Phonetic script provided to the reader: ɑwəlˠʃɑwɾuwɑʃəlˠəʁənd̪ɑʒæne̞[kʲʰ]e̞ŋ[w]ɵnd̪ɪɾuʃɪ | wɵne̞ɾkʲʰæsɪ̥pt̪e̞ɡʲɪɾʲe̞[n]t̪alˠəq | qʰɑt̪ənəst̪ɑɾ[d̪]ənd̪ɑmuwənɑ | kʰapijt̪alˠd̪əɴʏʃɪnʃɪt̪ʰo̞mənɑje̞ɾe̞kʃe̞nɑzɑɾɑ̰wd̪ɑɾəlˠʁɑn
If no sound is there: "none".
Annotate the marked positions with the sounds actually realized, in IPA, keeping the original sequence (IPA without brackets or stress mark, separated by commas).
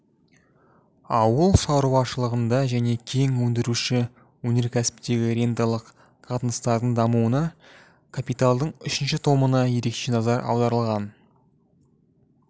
kʲʰ, w, n, d̪